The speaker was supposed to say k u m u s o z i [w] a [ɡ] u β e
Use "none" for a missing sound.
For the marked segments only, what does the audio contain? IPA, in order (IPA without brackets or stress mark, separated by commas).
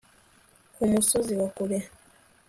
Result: w, k